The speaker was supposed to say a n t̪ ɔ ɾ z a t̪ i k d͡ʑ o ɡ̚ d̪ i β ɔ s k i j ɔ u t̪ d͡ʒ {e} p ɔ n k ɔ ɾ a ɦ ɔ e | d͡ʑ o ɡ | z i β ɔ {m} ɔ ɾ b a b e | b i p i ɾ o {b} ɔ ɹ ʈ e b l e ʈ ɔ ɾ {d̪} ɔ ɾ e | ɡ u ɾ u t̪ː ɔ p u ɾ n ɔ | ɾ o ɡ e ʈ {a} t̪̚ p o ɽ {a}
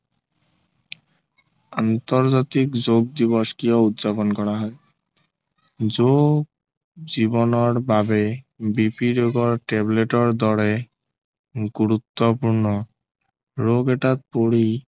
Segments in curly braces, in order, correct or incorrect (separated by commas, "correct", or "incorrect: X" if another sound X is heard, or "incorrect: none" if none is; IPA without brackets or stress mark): incorrect: a, incorrect: n, incorrect: ɡ, correct, correct, incorrect: i